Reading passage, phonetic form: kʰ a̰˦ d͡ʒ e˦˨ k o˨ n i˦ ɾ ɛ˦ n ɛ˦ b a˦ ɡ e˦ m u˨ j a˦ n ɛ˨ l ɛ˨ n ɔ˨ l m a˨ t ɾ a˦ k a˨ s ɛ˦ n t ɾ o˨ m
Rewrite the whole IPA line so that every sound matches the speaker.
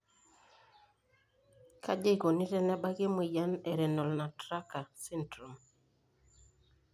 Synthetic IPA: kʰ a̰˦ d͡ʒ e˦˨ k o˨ n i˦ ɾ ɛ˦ n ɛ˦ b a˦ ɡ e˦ m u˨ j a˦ n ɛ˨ ɾ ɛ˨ n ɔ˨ l n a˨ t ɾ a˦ k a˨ s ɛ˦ n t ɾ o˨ m